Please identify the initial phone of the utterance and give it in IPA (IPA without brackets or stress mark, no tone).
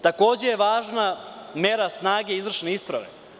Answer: t̪